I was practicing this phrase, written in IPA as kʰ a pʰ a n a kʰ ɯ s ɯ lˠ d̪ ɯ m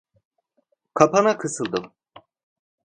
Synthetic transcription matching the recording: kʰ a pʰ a n a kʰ ɯ s ɯ lˠ d̪ ɯ m